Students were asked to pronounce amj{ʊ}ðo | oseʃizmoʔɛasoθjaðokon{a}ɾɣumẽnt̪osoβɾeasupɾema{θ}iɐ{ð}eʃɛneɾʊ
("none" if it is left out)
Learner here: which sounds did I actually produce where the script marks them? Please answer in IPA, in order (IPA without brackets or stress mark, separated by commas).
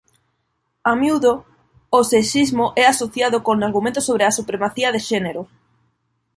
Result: u, a, θ, ð